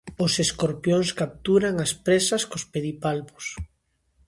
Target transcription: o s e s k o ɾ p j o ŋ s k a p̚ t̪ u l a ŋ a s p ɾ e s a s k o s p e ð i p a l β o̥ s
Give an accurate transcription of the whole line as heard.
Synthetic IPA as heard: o s e s k o ɾ p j o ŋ s k a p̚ t̪ u ɾ a ŋ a s p ɾ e s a s k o s p e ð i p a l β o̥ s